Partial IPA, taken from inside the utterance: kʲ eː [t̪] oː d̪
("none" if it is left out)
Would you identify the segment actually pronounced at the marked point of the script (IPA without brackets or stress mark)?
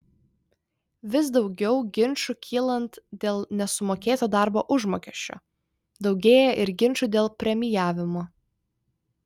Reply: t̪